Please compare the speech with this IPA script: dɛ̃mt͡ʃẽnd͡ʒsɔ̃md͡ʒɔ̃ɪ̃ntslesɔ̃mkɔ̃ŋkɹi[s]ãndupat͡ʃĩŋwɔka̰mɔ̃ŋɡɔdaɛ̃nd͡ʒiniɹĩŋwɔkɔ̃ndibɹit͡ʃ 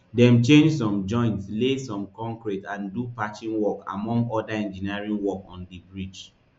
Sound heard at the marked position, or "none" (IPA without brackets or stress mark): t